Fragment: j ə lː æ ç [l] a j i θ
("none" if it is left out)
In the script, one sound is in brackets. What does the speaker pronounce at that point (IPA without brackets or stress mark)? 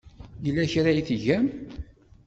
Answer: ɾ